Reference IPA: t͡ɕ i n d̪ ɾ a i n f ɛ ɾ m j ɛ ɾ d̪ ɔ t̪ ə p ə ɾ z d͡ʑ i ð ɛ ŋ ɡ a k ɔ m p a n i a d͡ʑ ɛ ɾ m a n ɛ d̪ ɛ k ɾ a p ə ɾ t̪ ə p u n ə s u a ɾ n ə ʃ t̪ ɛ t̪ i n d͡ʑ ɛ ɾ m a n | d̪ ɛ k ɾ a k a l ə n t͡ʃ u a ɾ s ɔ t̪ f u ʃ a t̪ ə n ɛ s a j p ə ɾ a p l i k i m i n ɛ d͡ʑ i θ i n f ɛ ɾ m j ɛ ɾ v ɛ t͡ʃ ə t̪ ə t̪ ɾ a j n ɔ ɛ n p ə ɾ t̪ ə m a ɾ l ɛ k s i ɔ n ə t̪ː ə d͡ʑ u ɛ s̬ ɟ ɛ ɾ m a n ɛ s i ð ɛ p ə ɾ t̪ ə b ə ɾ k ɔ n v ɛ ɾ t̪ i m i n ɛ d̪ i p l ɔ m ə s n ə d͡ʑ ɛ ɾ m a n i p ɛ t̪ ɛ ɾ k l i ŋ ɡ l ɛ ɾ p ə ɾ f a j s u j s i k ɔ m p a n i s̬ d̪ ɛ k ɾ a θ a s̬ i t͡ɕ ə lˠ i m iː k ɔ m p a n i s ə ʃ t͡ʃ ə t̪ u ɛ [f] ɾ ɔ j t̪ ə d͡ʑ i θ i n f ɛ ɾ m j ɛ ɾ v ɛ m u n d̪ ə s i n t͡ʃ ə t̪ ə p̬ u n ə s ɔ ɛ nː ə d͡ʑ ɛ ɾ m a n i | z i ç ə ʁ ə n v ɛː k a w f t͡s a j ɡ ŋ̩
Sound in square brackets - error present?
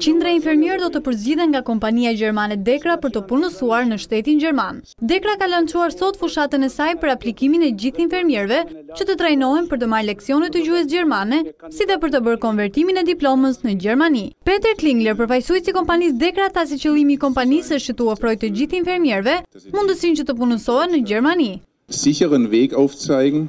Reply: no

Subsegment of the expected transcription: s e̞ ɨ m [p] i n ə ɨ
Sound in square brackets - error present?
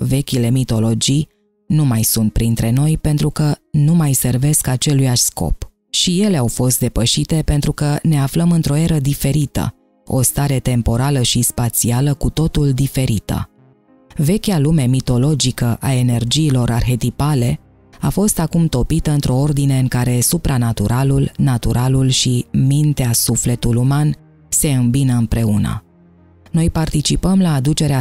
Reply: yes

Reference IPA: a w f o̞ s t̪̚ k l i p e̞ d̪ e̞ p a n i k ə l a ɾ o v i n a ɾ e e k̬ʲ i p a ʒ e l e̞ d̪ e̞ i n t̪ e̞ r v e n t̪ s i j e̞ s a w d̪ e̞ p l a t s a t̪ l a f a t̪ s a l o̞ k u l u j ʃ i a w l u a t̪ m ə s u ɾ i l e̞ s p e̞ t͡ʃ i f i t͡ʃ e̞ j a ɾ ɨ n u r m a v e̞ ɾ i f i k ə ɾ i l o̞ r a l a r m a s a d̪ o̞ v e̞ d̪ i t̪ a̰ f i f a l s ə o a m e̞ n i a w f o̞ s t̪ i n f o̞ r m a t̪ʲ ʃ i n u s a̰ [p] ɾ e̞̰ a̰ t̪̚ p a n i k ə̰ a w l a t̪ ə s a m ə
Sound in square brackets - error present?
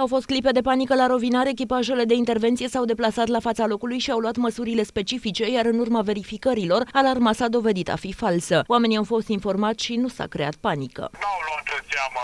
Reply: yes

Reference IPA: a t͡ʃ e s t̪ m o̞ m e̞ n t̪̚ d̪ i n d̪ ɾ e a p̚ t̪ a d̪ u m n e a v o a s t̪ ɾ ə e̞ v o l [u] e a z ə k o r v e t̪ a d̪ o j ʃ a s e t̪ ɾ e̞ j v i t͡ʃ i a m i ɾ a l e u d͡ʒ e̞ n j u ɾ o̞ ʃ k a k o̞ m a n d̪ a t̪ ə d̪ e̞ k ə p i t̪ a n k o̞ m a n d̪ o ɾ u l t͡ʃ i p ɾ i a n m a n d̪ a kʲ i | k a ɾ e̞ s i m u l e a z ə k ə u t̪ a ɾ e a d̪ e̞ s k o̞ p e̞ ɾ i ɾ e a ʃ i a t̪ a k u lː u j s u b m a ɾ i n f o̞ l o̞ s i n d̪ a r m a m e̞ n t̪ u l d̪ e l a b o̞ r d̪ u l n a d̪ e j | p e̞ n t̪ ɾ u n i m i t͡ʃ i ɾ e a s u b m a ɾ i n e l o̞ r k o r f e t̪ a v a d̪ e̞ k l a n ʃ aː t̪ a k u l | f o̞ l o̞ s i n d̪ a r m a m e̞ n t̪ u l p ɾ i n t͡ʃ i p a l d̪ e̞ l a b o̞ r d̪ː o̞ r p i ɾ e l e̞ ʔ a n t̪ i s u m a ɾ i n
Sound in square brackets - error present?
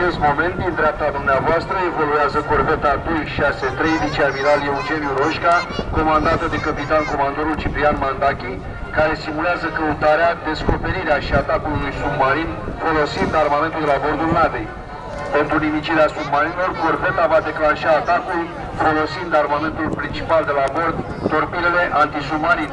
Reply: no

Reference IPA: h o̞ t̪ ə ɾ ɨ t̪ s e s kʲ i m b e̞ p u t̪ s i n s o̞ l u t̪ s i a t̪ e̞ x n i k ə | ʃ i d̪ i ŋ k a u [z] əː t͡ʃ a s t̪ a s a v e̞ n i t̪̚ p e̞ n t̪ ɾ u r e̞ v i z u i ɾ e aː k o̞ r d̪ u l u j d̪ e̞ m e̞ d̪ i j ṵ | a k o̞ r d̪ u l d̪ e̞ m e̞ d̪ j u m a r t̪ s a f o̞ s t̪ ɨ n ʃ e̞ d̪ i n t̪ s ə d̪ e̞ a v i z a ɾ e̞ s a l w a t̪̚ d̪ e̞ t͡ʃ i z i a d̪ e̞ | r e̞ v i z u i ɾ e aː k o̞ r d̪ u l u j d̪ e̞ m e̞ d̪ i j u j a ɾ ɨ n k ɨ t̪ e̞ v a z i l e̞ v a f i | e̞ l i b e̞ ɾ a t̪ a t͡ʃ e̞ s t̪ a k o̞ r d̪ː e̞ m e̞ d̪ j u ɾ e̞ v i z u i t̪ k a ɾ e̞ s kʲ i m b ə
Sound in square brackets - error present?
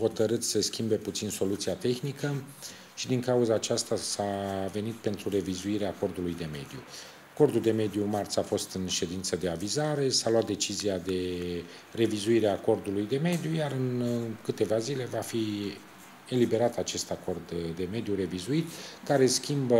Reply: no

